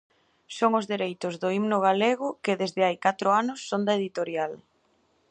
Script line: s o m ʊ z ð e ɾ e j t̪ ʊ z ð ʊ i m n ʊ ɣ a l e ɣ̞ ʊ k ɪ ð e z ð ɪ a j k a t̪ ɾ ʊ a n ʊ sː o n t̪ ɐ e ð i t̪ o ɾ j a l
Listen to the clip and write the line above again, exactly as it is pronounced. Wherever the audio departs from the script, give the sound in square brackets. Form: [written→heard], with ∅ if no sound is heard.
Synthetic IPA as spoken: s o [m→ŋ] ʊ z ð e ɾ e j t̪ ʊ z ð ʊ i m n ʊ ɣ a l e ɣ̞ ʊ k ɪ ð e z ð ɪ a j k a t̪ ɾ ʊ a n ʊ sː o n [t̪→d̪] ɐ e ð i t̪ o ɾ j a l